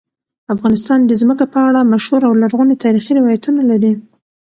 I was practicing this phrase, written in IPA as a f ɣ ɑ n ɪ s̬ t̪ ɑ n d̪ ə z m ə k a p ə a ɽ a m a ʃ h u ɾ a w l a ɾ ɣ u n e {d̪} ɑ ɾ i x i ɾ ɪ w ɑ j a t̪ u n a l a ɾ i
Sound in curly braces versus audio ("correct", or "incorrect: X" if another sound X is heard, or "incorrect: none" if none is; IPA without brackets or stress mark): incorrect: t̪